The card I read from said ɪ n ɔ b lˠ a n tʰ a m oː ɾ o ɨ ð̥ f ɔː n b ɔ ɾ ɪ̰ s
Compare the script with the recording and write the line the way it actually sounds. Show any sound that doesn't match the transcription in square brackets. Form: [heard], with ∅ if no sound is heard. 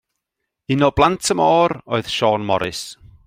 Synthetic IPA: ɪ n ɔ b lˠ a n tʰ [ə] m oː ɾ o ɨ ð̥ [ʃ] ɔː n [m] ɔ ɾ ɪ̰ s